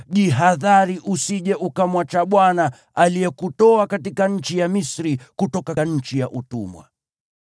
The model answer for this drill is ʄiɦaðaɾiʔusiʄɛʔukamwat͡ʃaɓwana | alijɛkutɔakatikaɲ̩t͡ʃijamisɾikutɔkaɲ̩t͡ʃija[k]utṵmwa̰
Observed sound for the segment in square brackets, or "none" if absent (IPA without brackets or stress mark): ʔ